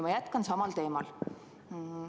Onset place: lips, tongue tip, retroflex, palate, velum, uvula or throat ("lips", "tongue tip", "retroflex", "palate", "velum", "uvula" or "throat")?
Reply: lips